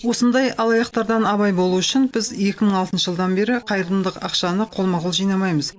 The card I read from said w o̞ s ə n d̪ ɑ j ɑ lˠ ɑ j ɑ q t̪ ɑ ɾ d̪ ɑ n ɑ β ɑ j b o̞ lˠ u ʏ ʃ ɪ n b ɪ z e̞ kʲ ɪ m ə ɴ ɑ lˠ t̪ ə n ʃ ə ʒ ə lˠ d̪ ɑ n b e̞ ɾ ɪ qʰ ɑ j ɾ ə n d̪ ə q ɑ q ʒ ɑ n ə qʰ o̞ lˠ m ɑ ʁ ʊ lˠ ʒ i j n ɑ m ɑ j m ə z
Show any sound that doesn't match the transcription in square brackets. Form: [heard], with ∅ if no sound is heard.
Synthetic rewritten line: w o̞ s ə n d̪ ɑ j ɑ lˠ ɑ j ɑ q t̪ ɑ ɾ d̪ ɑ n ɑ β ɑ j b o̞ lˠ u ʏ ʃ ɪ n b ɪ z e̞ kʲ ɪ m ə ɴ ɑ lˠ t̪ ə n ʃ ə ʒ ə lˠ d̪ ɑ n b e̞ ɾ ɪ qʰ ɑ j ɾ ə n d̪ ə q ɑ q [ʃ] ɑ n ə qʰ o̞ lˠ m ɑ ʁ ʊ lˠ ʒ i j n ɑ m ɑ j m ə z